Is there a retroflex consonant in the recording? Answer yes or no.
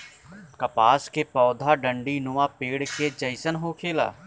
yes